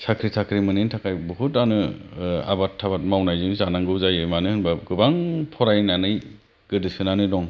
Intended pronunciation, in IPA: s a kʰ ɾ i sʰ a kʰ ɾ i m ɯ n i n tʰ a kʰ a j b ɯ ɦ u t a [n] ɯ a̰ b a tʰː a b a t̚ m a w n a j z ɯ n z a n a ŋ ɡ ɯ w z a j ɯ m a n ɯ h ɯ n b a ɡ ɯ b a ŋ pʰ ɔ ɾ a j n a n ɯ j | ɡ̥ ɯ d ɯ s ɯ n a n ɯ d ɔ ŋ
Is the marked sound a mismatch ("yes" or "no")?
no